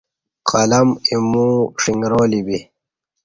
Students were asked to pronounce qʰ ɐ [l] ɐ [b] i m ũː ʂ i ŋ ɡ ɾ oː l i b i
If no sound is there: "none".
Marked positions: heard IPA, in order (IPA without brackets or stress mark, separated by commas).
l, m